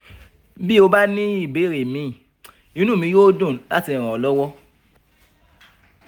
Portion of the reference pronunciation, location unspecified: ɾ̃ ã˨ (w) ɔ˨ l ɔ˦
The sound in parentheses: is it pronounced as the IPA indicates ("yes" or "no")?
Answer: no